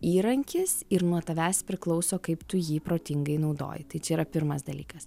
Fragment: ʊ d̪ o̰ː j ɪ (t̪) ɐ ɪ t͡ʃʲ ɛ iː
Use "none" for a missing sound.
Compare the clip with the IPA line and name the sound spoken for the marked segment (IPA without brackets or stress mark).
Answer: t̪